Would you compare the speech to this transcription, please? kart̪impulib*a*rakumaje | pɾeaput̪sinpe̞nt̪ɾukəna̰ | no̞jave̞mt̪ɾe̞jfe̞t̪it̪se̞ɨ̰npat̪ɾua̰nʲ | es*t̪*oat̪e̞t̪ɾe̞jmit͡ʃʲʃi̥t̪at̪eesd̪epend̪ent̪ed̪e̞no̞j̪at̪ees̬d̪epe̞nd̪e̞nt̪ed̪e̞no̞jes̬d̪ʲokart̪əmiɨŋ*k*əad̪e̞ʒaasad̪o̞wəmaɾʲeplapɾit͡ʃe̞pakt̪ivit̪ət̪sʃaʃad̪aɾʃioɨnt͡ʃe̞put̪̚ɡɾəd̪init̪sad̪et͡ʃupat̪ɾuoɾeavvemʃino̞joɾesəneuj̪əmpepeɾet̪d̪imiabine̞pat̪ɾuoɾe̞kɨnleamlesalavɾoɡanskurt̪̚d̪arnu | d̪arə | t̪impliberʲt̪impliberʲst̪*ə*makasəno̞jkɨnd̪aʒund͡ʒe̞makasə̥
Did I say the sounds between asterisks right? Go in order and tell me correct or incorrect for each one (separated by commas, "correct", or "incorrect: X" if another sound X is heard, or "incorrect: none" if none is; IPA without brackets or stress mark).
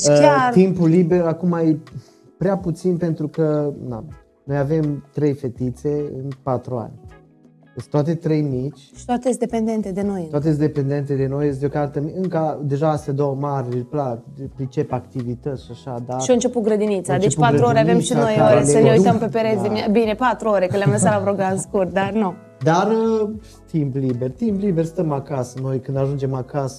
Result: incorrect: e, correct, correct, correct